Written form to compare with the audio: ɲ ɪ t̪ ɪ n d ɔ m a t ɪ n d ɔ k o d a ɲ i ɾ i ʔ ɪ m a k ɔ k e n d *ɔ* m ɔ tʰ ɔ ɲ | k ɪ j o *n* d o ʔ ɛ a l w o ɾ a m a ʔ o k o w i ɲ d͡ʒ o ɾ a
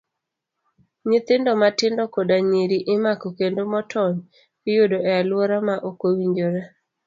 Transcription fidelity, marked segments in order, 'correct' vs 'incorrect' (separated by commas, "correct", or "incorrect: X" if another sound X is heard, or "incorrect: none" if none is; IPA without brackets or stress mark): incorrect: o, incorrect: none